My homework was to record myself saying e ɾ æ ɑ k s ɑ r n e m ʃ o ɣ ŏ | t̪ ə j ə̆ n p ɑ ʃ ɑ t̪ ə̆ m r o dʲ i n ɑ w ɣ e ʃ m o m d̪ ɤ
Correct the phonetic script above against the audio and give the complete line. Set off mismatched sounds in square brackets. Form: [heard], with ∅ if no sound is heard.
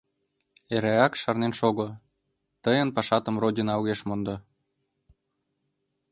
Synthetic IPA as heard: e ɾ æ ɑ k [ʃ] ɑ r n e [n] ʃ o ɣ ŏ | t̪ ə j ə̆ n p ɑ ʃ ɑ t̪ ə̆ m r o dʲ i n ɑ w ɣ e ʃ m o [n] d̪ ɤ